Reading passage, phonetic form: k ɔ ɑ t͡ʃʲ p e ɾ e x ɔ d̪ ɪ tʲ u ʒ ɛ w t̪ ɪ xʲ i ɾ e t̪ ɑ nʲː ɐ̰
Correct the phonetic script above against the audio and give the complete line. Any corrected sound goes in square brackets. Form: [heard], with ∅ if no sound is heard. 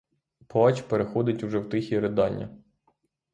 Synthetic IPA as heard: [p] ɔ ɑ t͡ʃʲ p e ɾ e x ɔ d̪ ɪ tʲ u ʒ ɛ w t̪ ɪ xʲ i ɾ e [d̪] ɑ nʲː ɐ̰

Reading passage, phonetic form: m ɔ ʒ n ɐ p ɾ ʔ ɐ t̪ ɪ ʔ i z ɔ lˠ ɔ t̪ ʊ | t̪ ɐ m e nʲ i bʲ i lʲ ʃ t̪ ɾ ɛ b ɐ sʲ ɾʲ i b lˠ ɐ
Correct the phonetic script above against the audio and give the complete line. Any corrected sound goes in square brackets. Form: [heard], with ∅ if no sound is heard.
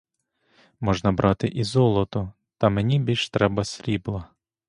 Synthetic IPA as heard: m ɔ ʒ n ɐ [b] ɾ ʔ [ɑ] t̪ ɪ ʔ i z ɔ lˠ ɔ t̪ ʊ | t̪ ɐ m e nʲ i bʲ i lʲ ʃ t̪ ɾ ɛ b ɐ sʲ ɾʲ i b lˠ ɐ

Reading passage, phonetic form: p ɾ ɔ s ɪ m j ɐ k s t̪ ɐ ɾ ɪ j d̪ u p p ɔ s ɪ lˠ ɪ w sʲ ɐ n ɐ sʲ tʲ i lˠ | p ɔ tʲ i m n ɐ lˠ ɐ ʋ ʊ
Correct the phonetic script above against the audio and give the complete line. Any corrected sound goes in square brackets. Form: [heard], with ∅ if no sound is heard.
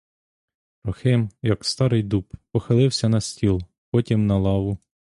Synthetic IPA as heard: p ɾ ɔ [x] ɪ m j ɐ k s t̪ [ɑ] ɾ ɪ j d̪ u p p ɔ [x] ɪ lˠ ɪ w sʲ ɐ n ɐ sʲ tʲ i lˠ | p ɔ tʲ i m n ɐ lˠ [ɑ] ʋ ʊ

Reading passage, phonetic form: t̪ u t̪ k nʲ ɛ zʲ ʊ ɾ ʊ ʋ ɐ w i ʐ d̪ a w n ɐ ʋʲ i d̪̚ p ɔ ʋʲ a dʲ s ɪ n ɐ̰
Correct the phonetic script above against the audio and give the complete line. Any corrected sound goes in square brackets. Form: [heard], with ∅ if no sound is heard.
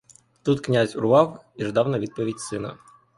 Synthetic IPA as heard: t̪ u t̪ k nʲ [a] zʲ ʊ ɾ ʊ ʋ [ɑ] w i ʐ d̪ [ɑ] w n ɐ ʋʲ i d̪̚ p ɔ ʋʲ [i] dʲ s ɪ n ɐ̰

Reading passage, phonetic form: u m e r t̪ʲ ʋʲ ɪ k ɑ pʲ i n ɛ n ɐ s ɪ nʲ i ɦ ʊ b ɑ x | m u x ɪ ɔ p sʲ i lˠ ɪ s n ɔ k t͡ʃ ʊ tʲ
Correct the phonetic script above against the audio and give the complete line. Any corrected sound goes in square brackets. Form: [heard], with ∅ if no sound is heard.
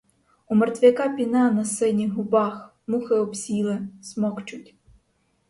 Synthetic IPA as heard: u m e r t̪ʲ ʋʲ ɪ k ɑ pʲ i n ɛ n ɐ s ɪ nʲ i ɦ ʊ b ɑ x | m u x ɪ ɔ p sʲ i lˠ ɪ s [m] ɔ k t͡ʃ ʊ tʲ

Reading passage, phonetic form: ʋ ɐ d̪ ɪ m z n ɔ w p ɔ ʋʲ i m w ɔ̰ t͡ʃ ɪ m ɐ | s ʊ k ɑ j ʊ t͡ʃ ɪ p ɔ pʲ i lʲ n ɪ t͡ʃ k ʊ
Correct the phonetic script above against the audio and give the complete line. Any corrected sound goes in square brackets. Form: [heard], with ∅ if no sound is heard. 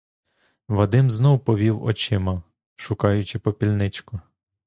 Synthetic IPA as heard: ʋ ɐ d̪ ɪ m z n ɔ w p ɔ ʋʲ i [∅] w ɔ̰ t͡ʃ ɪ m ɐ | [ʃ] ʊ k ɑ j ʊ t͡ʃ ɪ p ɔ pʲ i lʲ n ɪ t͡ʃ k ʊ

